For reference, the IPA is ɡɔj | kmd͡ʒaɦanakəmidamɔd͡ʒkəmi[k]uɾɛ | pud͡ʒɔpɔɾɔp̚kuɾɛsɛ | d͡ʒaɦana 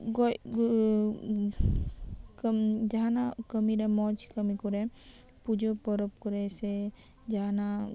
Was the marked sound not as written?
no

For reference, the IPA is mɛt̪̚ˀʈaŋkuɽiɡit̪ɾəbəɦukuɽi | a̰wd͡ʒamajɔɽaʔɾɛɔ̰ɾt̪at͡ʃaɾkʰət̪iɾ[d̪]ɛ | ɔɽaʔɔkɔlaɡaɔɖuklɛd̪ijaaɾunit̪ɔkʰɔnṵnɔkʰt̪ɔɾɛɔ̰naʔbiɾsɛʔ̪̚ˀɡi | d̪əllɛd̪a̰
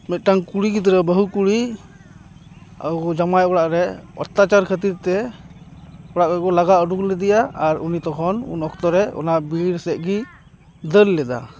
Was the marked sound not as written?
yes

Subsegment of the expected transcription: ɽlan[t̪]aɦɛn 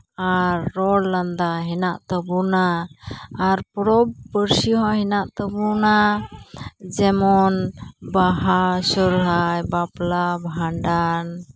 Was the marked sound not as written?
yes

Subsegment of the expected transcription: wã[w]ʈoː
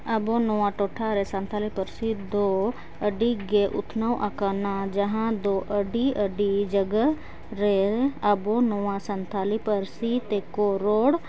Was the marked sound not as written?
yes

